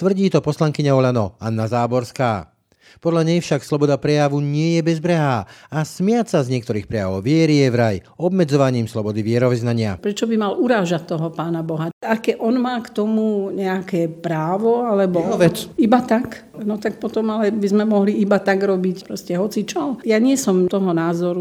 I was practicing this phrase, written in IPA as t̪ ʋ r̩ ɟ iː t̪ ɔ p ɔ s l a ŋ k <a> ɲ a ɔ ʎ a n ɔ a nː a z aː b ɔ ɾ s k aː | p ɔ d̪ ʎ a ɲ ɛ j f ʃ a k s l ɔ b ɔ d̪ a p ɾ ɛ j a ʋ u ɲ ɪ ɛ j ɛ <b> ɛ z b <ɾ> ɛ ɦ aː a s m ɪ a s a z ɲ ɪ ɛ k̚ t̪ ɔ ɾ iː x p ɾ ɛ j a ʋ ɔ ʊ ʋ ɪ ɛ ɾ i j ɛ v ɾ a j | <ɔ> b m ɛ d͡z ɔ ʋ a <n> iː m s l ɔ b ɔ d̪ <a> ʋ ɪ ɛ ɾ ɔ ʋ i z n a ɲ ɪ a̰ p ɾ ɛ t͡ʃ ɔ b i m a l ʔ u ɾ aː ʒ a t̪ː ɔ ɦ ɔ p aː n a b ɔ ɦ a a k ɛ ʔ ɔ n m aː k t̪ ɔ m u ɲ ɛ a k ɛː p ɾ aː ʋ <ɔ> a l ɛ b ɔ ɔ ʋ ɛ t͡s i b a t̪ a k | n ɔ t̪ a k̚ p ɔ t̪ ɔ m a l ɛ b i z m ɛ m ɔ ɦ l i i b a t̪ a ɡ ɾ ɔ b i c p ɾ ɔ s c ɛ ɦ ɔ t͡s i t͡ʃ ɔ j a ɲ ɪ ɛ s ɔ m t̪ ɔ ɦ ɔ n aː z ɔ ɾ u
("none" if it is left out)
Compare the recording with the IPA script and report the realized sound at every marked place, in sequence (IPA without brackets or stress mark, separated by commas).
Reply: i, b, ɾ, ɔ, ɲ, i, ɔ